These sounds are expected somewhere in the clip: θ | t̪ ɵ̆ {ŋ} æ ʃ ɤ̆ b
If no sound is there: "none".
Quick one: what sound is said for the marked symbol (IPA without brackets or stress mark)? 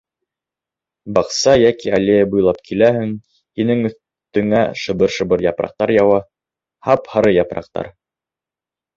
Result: ŋ